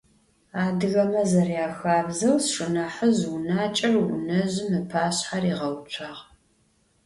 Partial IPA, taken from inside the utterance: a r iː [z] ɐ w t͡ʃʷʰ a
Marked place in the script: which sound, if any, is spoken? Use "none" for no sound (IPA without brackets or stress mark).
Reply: ʁ